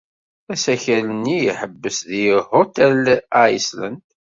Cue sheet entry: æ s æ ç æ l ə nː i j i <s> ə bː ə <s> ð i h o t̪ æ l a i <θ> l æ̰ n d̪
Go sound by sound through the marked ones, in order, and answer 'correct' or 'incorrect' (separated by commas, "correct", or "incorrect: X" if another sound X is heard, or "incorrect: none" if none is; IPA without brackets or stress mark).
incorrect: ħ, correct, incorrect: s